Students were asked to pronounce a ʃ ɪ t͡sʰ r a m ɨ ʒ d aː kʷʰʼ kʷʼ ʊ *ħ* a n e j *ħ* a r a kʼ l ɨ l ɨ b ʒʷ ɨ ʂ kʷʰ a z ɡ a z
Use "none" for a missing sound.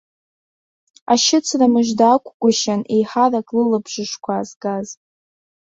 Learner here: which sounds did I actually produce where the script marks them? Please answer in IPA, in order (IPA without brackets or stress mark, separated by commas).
ʃ, ħ